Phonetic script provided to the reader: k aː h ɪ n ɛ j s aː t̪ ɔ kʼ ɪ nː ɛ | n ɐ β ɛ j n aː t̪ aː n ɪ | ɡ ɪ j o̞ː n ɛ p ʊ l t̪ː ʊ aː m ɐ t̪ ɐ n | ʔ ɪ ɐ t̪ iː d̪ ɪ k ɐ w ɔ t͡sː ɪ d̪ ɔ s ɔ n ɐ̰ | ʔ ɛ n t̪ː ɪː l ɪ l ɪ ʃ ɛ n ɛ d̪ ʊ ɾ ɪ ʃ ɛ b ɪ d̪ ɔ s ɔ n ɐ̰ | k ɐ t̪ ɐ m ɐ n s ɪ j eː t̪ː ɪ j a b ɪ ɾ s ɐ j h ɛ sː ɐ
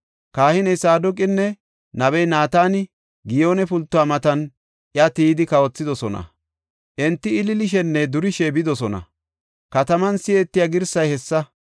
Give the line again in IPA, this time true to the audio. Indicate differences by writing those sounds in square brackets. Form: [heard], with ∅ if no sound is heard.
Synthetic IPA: k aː h ɪ n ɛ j s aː [d̪] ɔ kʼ ɪ nː ɛ | n ɐ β ɛ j n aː t̪ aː n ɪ | ɡ ɪ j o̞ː n ɛ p ʊ l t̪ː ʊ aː m ɐ t̪ ɐ n | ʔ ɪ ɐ t̪ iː d̪ ɪ k ɐ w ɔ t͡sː ɪ d̪ ɔ s ɔ n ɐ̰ | ʔ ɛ n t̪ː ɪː l ɪ l ɪ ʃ ɛ [nː] ɛ d̪ ʊ ɾ ɪ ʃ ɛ b ɪ d̪ ɔ s ɔ n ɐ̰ | k ɐ t̪ ɐ m ɐ n s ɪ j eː t̪ː ɪ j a [ɡ] ɪ ɾ s ɐ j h ɛ sː ɐ